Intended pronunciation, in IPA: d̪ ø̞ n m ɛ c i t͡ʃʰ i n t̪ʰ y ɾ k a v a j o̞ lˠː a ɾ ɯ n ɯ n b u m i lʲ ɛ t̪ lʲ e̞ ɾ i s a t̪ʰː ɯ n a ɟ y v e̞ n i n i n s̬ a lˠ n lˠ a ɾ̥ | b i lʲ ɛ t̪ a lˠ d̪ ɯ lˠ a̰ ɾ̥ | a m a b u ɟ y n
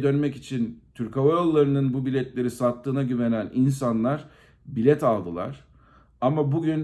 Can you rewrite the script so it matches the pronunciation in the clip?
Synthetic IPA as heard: d̪ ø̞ n m ɛ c i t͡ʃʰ i n t̪ʰ y ɾ k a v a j o̞ lˠː a ɾ ɯ n ɯ n b u b i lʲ ɛ t̪ lʲ e̞ ɾ i s a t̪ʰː ɯː n a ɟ y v e̞ n æ n i n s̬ a n lˠ a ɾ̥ | b i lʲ ɛ t̪ a lˠ d̪ ɯ lˠ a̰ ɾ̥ | a m a b u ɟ y n